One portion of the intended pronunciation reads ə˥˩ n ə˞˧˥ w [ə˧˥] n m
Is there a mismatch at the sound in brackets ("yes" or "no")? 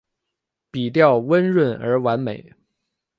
yes